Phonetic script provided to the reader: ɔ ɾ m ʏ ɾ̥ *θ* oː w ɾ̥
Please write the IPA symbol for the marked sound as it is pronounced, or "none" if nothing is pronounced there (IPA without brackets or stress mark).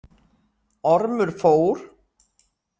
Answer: f